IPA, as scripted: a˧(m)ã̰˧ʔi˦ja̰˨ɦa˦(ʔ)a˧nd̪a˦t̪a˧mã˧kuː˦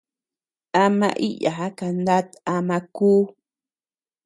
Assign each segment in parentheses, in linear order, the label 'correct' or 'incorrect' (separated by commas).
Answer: correct, incorrect